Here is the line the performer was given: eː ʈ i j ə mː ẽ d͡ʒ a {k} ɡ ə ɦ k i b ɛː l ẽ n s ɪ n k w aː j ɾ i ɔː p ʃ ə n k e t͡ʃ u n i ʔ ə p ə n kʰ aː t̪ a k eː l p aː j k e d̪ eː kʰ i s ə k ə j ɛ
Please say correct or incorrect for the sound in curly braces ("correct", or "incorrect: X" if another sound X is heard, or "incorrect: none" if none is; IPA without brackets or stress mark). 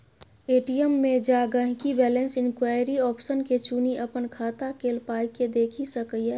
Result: incorrect: none